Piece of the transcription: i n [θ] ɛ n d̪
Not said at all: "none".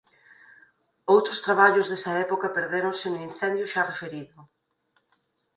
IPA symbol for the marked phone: θ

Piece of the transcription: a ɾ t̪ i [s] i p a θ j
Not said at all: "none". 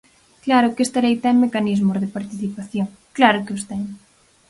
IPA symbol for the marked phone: θ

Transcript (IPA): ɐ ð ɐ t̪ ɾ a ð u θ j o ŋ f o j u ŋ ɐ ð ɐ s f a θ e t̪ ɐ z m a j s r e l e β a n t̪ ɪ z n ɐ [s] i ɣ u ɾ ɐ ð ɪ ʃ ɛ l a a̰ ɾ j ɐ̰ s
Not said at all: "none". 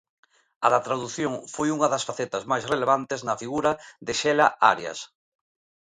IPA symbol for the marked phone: f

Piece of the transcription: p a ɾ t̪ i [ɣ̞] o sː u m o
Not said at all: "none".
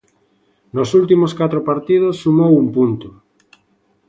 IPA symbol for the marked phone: ð̞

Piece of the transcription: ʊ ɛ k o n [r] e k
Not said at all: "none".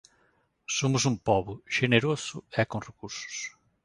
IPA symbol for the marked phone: r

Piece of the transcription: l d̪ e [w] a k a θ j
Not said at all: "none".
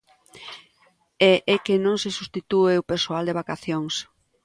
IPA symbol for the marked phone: β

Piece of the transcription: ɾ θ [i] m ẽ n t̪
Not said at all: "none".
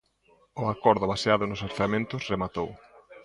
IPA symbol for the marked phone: a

